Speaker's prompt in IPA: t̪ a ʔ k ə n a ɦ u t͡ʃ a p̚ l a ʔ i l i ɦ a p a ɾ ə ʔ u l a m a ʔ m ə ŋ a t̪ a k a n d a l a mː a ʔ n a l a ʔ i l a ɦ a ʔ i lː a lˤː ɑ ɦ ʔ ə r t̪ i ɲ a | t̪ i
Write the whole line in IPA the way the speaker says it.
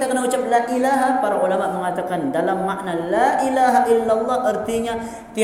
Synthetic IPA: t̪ a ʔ k ə n a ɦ u t͡ʃ a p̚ l a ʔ i l a ɦ a p a ɾ a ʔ u l a m a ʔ m ə ŋ a t̪ a k a n d a l a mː a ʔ n a l a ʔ i l a ɦ a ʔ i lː a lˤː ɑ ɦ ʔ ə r t̪ i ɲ a | t̪ i